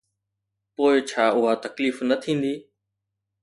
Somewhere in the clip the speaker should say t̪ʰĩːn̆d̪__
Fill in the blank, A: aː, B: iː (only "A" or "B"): B